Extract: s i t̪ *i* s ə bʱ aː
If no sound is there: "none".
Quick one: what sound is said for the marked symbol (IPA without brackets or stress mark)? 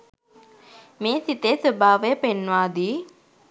e